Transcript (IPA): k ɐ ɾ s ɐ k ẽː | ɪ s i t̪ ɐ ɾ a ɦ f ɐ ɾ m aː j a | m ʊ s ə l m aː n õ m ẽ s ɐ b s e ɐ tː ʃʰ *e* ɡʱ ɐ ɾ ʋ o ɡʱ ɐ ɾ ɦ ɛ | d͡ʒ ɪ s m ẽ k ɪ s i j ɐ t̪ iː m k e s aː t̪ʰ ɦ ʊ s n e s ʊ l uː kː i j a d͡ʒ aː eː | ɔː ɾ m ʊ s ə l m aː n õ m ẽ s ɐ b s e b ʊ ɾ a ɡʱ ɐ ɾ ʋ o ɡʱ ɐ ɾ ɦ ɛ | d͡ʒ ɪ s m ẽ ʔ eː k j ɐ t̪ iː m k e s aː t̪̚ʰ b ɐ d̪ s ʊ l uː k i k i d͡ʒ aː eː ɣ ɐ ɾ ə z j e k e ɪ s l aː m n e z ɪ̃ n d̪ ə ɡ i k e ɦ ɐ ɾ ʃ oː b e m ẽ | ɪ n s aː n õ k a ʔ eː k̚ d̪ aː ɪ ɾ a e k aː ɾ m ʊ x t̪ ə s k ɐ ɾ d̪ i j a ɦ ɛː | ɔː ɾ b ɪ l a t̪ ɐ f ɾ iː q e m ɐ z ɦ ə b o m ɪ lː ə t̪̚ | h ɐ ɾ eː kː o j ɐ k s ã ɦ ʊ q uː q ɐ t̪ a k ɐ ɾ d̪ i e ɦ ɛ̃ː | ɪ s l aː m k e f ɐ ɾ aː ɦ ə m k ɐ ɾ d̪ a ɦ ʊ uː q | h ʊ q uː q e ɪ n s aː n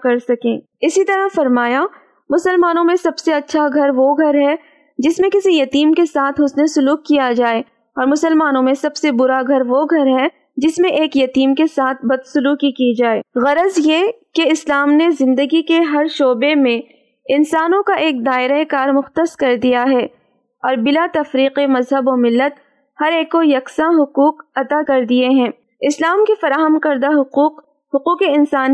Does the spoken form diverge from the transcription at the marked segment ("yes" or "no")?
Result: yes